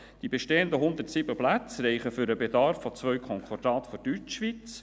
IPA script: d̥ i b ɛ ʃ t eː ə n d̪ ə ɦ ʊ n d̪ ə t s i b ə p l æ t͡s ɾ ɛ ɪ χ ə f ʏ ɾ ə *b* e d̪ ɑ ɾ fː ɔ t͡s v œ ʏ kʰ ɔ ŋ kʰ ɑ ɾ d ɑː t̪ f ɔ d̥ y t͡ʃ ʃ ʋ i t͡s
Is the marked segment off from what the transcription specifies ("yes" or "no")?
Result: no